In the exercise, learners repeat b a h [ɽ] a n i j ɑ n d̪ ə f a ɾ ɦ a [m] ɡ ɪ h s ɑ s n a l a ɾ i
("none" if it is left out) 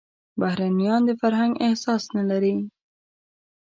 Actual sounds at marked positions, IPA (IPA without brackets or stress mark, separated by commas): ɾ, ŋ